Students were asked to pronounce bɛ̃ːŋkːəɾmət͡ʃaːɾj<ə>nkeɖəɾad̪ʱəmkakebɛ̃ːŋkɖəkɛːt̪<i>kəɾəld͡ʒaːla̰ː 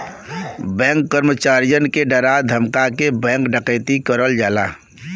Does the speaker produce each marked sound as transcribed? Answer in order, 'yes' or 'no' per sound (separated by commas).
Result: yes, yes